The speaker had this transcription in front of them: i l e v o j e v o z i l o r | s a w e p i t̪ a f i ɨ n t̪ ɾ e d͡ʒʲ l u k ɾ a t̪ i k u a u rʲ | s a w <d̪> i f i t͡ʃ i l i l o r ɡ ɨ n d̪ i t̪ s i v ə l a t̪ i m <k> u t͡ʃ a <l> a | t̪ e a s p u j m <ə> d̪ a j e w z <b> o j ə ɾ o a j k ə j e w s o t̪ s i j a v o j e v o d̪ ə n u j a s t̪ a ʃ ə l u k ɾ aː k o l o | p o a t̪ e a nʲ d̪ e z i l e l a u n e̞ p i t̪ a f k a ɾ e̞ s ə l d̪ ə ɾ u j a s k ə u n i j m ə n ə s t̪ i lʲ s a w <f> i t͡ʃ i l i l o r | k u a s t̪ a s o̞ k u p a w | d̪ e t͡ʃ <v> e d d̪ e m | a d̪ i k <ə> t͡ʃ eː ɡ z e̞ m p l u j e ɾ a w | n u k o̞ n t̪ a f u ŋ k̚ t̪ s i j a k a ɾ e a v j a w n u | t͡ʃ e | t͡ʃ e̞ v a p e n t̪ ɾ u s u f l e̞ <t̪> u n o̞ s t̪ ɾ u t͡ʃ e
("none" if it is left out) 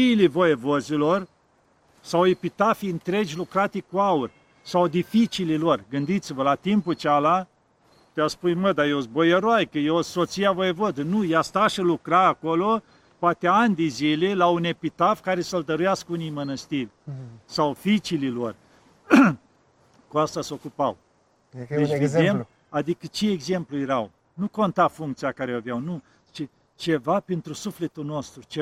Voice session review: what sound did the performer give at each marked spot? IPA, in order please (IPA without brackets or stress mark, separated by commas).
d̪, p, l, ə, b, f, v, ə, t̪